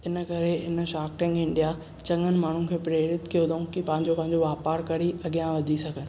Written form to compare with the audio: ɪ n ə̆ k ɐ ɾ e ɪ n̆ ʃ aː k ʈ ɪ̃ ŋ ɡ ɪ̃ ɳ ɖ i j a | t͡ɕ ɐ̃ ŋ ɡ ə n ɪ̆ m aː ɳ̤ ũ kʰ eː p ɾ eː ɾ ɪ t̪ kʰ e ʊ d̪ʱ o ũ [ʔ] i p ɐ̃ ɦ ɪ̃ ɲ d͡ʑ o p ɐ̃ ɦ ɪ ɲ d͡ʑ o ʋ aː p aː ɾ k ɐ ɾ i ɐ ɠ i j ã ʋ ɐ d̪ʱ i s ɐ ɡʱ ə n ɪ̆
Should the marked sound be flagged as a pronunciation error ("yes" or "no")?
yes